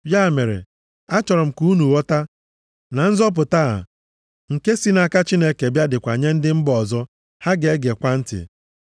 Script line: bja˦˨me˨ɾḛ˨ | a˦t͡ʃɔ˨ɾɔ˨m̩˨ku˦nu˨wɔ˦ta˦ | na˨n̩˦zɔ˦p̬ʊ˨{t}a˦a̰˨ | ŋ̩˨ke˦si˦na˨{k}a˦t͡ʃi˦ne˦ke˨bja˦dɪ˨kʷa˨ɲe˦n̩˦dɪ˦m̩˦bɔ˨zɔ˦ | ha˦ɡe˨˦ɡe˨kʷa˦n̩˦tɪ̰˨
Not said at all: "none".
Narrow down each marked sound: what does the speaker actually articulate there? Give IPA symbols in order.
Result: t, k

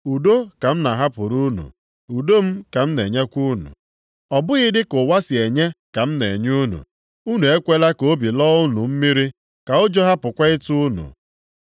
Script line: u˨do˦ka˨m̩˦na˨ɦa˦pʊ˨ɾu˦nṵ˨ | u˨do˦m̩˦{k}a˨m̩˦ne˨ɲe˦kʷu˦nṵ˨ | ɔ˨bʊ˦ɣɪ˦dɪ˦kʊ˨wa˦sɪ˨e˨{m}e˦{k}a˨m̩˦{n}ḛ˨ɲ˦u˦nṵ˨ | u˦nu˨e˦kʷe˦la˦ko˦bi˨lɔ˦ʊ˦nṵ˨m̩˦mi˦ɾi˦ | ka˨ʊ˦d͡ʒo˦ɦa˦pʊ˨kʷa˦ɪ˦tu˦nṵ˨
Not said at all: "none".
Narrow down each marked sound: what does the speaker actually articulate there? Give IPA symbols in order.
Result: k, ɲ, k, n

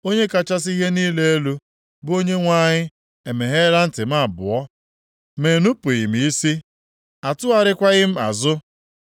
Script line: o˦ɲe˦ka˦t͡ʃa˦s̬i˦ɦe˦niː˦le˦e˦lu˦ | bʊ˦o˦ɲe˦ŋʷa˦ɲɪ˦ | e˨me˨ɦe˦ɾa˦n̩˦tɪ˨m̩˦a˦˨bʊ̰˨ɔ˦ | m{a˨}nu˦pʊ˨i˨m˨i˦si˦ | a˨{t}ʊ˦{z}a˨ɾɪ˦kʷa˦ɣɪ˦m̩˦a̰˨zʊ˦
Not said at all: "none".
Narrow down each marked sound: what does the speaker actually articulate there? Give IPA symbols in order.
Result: e˨, t, none

